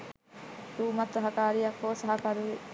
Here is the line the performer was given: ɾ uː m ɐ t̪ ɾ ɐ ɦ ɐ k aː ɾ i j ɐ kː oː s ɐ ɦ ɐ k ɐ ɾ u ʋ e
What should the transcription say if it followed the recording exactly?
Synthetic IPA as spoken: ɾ uː m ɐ t̪ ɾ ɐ ɦ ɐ k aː ɾ i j ɐ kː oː s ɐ ɦ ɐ k ɐ ɾ u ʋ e